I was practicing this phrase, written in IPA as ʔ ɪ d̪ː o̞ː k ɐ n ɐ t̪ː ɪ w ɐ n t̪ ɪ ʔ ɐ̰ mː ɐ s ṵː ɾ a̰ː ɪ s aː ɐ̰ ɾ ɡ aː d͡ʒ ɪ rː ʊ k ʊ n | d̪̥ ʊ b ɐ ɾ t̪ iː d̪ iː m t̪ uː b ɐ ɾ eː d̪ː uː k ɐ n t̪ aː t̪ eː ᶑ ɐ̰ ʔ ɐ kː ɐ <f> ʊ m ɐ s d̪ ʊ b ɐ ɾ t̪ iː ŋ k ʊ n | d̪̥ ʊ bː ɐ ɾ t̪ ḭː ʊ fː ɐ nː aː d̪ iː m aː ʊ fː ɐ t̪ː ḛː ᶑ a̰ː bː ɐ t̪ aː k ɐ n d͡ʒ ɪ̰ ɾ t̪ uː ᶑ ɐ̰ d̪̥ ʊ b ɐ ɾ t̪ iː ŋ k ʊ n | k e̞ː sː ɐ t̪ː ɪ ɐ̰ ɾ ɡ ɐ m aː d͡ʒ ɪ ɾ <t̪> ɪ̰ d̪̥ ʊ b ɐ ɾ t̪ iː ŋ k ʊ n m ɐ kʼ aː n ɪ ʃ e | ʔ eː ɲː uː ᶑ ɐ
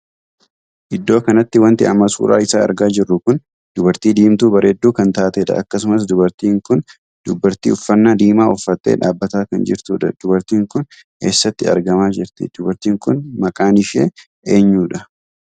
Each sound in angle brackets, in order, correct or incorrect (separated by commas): incorrect, correct